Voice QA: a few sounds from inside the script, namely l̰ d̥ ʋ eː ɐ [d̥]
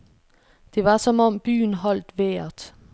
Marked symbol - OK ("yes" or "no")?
yes